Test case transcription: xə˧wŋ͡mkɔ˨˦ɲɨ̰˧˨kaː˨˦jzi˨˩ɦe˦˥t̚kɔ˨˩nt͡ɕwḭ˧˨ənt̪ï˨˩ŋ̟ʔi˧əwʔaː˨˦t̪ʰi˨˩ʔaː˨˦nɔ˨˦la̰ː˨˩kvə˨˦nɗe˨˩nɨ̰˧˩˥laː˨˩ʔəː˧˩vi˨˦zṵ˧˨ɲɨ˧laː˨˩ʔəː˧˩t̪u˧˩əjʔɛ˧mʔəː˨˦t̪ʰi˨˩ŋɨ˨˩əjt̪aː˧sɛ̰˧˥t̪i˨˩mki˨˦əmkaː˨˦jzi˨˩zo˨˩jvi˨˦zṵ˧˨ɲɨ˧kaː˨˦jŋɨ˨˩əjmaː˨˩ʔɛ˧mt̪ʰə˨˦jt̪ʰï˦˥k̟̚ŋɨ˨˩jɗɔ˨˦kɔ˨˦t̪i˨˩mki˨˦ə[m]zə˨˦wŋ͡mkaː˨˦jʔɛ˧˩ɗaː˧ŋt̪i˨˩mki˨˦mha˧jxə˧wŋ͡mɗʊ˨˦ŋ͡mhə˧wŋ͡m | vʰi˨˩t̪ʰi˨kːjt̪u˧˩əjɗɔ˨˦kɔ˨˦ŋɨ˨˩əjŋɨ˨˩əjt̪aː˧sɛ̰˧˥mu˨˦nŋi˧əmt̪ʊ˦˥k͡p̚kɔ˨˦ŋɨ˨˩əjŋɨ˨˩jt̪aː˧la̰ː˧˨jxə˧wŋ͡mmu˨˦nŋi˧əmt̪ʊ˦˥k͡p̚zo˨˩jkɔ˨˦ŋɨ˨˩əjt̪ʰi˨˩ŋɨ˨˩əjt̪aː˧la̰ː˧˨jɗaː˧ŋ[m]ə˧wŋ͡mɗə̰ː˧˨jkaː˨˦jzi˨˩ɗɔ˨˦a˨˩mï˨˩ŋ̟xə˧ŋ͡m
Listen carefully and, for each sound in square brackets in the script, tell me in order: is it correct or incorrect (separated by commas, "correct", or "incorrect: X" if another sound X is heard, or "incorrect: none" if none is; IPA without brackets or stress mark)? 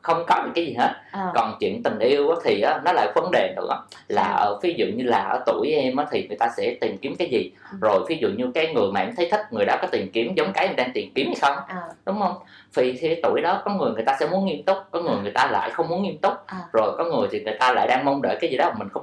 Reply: correct, correct